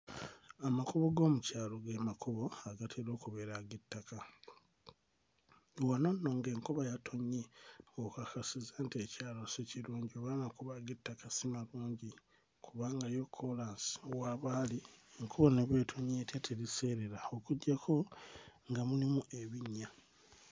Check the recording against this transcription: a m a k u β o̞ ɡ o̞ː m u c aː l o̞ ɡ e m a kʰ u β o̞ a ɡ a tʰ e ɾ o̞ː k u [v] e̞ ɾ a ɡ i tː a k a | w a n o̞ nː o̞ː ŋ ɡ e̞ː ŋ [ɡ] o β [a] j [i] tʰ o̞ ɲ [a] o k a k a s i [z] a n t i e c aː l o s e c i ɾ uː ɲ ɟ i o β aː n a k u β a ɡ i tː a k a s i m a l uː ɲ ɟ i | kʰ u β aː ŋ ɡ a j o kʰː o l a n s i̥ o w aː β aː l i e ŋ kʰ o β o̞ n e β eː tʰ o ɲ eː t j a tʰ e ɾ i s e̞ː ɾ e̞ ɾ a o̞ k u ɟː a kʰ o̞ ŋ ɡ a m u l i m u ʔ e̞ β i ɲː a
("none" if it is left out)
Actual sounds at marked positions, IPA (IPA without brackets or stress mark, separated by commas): β, k, a, a, e, z